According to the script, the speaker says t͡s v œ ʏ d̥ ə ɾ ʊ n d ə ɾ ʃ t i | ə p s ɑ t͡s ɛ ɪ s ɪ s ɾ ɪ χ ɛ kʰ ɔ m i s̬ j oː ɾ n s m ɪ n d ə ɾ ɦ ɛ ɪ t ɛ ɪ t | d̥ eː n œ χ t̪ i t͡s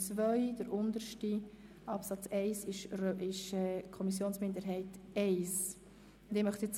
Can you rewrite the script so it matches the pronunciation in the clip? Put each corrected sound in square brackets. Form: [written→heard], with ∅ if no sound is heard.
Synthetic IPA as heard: t͡s v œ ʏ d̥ ə ɾ ʊ n d ə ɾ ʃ t i | [ə→ɑ] p s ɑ t͡s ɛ ɪ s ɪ [s→ʃ] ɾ ɪ [χ→ʃ] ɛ kʰ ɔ m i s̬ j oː [ɾ→∅] n s m ɪ n d ə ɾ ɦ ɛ ɪ t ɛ ɪ [t→s] | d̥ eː [n→m] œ χ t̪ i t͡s